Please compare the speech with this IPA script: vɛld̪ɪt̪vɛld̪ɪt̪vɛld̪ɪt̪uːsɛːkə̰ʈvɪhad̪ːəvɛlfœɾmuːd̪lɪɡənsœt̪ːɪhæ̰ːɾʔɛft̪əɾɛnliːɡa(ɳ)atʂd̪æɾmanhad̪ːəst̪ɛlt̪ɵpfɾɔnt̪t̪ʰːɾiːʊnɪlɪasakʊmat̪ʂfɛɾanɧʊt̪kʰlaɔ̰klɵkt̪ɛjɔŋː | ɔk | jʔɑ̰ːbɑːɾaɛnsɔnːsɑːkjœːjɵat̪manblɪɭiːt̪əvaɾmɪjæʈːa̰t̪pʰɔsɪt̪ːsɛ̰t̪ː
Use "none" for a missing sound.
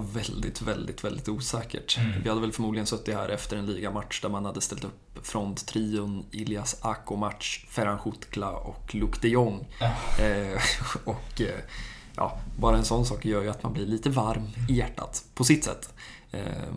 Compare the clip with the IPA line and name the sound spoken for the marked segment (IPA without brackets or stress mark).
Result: m